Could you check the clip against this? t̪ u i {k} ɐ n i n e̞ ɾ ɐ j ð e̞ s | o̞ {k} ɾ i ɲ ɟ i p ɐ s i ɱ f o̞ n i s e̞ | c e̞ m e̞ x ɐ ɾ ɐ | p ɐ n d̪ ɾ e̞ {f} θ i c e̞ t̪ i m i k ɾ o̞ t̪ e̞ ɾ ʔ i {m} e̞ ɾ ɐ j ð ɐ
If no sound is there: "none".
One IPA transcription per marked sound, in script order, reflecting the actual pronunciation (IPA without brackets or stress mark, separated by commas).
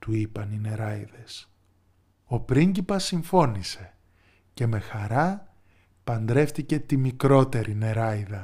p, p, f, n